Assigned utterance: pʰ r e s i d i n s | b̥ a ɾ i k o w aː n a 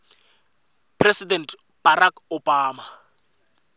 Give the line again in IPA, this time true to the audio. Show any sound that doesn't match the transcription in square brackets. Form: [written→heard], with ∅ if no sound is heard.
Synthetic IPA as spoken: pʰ r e s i d [i→ɛ] n [s→t] | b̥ a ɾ [i→a] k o [w→b] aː [n→m] a

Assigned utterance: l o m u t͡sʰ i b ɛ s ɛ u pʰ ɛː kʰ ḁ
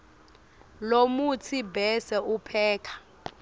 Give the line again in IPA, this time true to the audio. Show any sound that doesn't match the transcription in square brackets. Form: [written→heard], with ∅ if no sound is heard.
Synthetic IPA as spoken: l o m u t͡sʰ i b ɛ s ɛ u pʰ ɛː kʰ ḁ

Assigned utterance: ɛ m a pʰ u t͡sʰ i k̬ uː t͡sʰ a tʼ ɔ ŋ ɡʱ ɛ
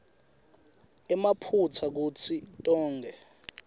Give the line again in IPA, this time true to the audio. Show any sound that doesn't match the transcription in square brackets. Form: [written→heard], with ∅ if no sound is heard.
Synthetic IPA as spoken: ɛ m a pʰ u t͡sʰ [i→a] k̬ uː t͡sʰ [a→i] tʼ [ɔ→ɔː] ŋ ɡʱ ɛ

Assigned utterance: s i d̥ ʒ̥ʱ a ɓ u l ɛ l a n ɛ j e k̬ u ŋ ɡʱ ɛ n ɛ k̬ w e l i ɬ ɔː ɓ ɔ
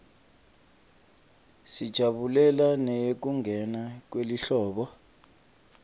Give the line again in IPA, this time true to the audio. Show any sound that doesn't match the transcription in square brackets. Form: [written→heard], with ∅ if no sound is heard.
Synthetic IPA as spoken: s i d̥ ʒ̥ʱ a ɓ u l ɛ l a n ɛ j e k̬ u ŋ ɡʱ ɛ n [ɛ→a] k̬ w e l i ɬ ɔː ɓ ɔ

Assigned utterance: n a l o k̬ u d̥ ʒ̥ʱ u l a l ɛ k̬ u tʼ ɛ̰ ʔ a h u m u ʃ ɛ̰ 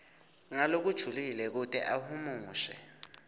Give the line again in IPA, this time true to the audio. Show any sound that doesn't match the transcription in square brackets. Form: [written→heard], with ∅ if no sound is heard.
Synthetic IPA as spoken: [n→ŋ] a l o k̬ u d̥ ʒ̥ʱ u l [a→i] l ɛ k̬ u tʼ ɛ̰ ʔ a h u m [u→uː] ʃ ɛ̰

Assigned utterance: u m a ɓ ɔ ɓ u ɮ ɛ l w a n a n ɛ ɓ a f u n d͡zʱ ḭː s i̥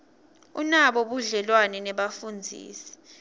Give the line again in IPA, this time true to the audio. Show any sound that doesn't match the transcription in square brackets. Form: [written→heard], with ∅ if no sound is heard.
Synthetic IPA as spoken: u [m→n] a ɓ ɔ ɓ u ɮ ɛ l w a n [a→ɛ] n ɛ ɓ a f u n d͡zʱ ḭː s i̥

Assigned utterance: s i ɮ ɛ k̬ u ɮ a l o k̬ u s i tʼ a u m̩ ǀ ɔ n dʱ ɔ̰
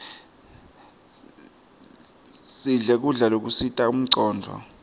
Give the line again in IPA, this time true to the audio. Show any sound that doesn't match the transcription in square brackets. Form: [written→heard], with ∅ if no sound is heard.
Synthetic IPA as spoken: s i ɮ ɛ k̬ u ɮ a l o k̬ u s i tʼ a u m̩ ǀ [ɔ→ɔː] n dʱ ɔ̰

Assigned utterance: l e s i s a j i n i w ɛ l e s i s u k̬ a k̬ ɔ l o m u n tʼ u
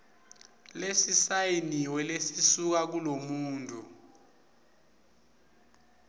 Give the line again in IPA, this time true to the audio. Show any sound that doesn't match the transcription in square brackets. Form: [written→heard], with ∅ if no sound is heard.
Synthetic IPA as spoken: l e s i s a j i n i w ɛ l e s i s u k̬ a k̬ [ɔ→u] l o m [u→uː] n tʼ u

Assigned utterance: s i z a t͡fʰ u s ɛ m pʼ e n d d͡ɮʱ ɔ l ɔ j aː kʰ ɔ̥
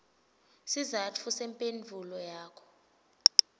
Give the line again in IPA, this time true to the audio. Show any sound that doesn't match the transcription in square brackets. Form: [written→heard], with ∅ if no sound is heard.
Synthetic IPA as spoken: s i z a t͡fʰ u s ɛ m pʼ e n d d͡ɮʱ [ɔ→u] l ɔ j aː kʰ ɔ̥

